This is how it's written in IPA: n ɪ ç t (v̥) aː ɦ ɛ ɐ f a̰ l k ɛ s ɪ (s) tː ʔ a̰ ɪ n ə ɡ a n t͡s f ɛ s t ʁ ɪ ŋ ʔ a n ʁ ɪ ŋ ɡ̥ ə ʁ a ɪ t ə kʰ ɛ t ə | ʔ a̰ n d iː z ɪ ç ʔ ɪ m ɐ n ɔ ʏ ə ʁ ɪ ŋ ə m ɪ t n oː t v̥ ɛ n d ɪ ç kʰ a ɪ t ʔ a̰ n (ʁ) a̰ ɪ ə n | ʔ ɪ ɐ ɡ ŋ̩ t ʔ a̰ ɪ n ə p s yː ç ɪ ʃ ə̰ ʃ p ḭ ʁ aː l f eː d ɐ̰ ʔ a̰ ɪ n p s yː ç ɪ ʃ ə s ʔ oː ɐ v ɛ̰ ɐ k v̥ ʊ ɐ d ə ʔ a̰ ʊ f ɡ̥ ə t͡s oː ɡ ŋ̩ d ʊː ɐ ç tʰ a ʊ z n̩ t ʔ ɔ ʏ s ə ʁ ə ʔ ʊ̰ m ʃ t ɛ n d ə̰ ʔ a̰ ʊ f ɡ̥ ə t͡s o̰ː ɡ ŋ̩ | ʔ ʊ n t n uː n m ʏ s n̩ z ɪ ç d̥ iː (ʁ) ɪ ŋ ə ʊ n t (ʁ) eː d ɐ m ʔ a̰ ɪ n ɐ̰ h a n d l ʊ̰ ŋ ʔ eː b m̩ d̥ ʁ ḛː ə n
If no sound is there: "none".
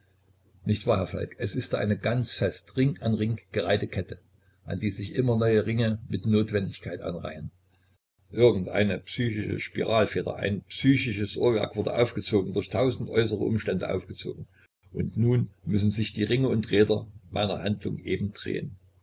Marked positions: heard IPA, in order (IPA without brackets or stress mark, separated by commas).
v̥, s, ʁ, ʁ, ʁ